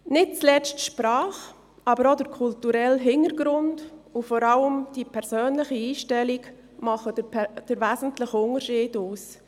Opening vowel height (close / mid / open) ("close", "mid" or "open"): close